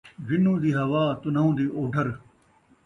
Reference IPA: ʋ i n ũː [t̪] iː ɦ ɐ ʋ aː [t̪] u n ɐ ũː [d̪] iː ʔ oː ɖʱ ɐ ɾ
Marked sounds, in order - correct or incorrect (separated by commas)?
incorrect, correct, correct